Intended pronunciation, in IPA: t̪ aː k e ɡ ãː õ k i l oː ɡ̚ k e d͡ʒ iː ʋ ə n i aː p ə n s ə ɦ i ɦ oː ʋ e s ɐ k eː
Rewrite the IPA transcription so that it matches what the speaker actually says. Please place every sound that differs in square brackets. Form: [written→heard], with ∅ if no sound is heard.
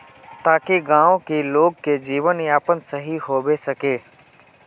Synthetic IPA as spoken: t̪ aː k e ɡ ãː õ k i l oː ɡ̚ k e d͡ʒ iː ʋ ə n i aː p ə n s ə ɦ i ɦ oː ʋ e s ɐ k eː

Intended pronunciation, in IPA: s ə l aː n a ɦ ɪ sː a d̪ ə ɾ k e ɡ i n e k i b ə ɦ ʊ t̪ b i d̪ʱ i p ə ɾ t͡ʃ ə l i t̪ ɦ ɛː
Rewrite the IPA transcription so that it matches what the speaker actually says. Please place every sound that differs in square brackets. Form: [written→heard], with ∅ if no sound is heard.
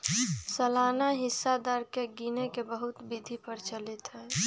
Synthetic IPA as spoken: s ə l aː n a ɦ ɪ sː a d̪ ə ɾ k e ɡ i n e k [i→e] b ə ɦ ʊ t̪ b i d̪ʱ i p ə ɾ t͡ʃ ə l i t̪ ɦ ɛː

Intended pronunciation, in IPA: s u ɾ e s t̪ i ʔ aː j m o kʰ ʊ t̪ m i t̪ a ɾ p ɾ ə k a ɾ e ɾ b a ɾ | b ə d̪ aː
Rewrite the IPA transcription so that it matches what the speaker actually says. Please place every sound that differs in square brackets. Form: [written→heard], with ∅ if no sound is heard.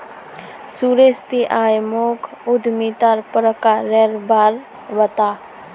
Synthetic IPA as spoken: s u ɾ e s t̪ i ʔ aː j m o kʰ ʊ [t̪→d̪] m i t̪ a ɾ p ɾ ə k a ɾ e ɾ b a ɾ | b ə [d̪→t̪] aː

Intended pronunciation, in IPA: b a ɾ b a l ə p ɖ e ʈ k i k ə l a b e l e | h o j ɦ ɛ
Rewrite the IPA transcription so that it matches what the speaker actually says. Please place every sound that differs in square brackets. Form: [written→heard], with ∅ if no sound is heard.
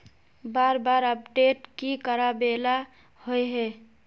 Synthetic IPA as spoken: b a ɾ b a [l→ɾ] ə p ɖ e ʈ k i k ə [l→ɾ] a b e l [e→a] | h o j ɦ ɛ

